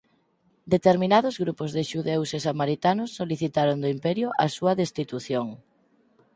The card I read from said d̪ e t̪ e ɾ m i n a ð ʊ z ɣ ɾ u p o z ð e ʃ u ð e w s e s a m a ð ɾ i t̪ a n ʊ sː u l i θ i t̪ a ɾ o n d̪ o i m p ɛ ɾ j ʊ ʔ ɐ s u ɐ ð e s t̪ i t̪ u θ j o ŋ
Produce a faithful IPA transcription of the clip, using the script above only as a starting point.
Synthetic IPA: d̪ e t̪ e ɾ m i n a ð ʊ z ɣ ɾ u p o z ð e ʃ u ð e w s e s a m a ɾ i t̪ a n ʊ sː o l i θ i t̪ a ɾ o n d̪ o i m p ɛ ɾ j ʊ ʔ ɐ s u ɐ ð e s t̪ i t̪ u θ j o ŋ